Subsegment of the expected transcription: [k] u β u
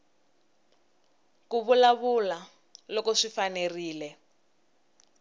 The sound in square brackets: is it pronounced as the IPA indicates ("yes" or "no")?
yes